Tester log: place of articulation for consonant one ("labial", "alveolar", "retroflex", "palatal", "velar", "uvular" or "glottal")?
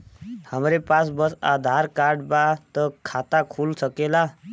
glottal